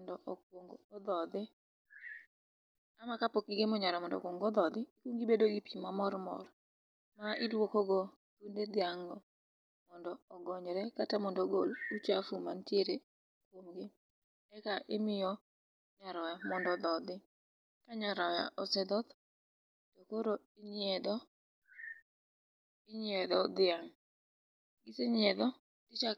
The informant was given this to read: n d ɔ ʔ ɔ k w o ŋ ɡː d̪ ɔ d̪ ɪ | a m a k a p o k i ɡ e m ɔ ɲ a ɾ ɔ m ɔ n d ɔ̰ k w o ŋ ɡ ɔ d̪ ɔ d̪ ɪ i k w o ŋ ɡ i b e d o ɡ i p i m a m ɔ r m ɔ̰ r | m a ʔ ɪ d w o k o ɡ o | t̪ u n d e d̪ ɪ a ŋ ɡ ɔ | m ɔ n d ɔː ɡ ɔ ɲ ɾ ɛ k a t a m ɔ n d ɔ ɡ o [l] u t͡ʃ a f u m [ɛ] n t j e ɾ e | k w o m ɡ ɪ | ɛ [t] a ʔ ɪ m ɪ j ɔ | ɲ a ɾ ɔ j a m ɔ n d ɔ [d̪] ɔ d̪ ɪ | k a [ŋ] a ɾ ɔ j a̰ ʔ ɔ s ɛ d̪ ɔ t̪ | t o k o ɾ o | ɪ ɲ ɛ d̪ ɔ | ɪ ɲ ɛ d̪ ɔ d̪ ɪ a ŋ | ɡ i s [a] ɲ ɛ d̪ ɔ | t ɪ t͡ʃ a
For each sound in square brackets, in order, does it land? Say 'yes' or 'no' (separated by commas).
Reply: yes, no, no, yes, no, no